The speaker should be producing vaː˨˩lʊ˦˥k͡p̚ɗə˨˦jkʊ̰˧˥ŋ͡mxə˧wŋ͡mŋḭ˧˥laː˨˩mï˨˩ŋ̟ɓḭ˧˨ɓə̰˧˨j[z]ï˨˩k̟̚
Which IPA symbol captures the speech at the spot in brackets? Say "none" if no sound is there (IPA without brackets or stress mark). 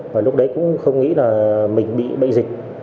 z